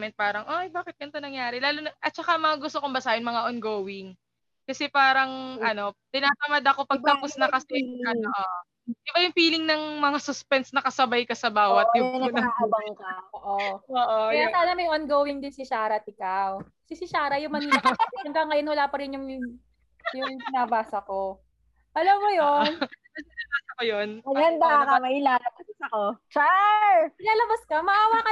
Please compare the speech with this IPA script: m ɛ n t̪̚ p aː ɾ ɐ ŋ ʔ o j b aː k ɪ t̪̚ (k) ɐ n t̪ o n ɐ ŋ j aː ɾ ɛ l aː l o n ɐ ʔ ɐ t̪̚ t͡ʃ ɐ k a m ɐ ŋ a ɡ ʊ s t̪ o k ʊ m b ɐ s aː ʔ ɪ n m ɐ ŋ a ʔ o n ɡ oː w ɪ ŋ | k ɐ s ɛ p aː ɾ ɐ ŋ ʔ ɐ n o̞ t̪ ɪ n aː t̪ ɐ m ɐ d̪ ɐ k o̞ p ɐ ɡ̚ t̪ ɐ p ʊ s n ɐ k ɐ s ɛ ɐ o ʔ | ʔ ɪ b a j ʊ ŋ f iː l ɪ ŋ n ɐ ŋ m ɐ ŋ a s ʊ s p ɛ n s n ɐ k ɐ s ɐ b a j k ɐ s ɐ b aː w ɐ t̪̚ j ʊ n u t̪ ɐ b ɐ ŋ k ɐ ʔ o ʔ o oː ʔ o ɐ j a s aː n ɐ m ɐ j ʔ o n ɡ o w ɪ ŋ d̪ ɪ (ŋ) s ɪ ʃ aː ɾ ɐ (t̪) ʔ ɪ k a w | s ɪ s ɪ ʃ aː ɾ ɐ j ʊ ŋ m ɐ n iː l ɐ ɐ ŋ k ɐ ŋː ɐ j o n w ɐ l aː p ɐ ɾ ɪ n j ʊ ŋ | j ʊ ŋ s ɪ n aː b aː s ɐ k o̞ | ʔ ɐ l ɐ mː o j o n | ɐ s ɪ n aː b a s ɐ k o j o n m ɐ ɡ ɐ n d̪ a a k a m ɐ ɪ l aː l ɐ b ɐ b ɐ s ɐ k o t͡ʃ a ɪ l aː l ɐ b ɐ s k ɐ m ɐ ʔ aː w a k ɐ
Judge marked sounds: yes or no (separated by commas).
no, no, yes